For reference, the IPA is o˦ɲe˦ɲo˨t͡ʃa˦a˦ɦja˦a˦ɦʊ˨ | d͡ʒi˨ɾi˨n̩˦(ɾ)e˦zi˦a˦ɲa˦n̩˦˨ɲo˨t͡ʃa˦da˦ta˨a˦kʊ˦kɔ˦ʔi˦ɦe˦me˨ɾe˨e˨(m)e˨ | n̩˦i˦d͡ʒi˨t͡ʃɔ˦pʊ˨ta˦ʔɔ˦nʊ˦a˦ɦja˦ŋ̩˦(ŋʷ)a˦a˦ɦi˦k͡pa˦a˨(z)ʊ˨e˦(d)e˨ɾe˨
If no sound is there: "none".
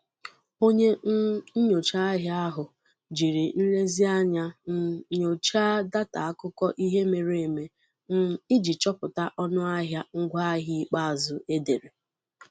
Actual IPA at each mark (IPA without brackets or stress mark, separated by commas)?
l, m, ɡʷ, z, d